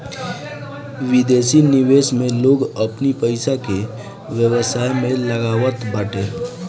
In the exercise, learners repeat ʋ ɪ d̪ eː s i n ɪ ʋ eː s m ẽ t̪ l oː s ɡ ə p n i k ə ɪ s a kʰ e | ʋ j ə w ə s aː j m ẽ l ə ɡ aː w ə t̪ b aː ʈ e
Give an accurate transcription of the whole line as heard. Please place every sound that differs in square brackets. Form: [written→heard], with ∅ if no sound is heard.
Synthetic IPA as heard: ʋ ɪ d̪ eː s i n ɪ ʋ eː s m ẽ [t̪→∅] l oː [s→∅] ɡ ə p n i [k→p] ə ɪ s a [kʰ→k] e | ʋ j ə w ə s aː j m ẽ l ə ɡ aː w ə t̪ b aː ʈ e